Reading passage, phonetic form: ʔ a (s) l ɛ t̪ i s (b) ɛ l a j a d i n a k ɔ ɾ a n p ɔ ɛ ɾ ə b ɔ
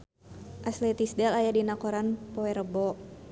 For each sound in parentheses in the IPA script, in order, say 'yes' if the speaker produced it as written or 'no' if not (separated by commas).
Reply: yes, no